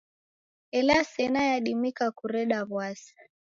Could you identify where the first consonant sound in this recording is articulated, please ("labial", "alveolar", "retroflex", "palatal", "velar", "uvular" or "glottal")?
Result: alveolar